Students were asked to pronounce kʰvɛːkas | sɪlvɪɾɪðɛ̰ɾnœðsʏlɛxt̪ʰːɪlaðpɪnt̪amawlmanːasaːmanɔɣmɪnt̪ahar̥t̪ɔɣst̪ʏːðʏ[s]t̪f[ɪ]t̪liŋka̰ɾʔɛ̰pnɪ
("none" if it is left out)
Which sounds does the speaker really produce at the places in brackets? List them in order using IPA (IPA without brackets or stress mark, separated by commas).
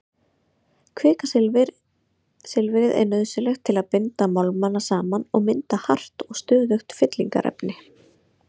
x, ɪ